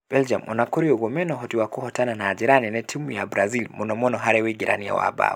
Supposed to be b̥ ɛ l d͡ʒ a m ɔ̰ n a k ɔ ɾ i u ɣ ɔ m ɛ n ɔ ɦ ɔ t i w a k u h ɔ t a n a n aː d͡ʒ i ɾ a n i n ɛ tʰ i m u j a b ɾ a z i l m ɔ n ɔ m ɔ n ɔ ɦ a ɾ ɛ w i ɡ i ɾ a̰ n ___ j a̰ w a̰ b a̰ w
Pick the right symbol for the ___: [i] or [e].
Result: i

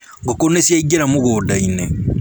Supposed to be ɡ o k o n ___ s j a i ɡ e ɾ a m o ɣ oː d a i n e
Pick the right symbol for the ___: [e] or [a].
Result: e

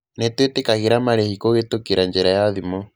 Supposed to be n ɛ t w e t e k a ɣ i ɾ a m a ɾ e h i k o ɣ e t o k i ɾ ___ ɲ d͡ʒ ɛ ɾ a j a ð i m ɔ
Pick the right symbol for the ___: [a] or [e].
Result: a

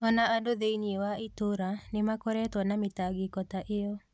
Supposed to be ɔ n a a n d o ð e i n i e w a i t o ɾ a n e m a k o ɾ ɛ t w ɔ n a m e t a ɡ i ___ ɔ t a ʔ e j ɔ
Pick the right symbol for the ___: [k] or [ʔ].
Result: k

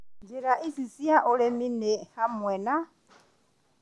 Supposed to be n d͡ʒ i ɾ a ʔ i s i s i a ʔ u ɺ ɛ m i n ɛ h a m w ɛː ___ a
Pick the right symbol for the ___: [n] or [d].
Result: n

